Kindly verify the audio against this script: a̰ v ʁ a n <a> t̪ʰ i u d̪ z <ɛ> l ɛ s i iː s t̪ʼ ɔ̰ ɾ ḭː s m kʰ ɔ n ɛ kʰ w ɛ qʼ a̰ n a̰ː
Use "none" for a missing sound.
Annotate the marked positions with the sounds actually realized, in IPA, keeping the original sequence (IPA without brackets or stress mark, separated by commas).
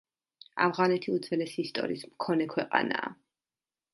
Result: ɛ, ɛ